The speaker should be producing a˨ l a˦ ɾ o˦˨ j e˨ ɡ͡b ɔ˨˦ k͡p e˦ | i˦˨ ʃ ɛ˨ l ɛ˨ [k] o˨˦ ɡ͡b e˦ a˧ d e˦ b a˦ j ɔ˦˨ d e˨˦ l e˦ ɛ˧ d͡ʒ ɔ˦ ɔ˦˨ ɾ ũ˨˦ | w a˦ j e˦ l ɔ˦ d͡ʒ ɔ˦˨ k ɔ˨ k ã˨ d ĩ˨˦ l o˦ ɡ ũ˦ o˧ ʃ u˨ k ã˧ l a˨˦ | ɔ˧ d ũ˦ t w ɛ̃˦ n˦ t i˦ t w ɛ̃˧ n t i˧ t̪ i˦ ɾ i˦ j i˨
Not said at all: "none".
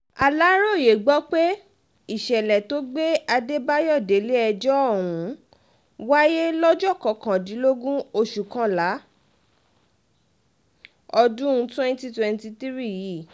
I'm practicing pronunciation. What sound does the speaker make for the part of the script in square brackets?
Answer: t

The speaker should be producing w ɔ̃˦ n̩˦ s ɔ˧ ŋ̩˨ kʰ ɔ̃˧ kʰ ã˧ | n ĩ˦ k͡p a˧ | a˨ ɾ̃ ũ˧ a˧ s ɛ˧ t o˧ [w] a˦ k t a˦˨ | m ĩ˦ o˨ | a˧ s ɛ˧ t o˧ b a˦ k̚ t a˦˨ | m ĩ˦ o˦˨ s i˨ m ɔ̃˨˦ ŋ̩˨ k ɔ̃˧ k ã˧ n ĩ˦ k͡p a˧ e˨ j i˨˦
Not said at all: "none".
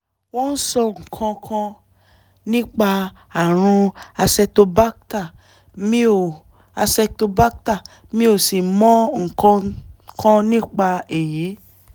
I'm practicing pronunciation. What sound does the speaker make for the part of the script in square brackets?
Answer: b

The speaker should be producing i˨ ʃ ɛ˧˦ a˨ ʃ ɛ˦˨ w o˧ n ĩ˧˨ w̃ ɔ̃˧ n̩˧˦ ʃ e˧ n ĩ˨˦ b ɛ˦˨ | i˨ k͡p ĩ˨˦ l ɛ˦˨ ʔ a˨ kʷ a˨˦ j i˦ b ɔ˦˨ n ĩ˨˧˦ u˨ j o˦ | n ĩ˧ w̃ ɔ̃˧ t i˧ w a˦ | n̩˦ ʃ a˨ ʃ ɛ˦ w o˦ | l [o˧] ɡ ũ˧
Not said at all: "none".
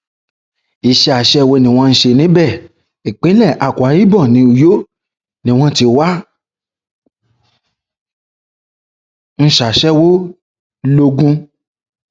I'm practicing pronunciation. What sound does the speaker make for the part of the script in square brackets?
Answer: o˧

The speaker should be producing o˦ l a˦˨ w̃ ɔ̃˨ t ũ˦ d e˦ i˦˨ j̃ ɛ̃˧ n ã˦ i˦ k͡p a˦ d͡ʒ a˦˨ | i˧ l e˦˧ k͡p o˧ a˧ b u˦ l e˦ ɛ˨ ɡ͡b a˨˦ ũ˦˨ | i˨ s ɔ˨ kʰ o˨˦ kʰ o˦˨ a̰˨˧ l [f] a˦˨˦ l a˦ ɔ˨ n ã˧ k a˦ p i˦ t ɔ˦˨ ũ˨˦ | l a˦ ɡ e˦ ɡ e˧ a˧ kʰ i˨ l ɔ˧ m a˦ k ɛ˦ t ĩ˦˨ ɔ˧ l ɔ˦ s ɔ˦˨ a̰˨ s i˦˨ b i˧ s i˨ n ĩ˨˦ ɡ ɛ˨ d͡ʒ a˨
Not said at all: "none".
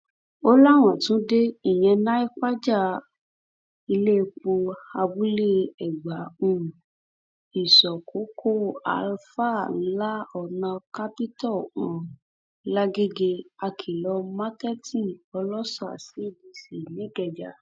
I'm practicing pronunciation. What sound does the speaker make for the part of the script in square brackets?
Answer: f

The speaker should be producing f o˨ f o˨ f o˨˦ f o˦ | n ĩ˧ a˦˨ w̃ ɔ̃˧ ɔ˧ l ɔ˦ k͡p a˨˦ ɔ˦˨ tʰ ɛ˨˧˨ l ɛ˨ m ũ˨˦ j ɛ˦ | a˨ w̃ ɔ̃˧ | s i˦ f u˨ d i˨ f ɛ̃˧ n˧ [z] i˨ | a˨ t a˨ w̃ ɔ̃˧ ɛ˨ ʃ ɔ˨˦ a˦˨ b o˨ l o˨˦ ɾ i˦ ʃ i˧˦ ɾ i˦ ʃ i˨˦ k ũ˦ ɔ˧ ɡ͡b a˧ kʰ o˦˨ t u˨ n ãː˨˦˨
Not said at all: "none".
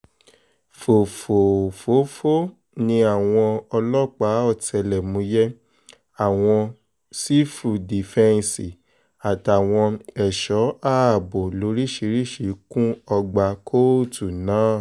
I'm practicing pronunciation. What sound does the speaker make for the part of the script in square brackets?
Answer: s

